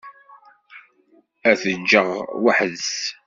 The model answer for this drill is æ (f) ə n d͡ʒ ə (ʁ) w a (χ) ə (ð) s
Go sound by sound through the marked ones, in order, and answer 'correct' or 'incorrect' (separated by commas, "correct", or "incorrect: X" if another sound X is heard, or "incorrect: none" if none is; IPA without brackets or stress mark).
incorrect: θ, correct, incorrect: ħ, correct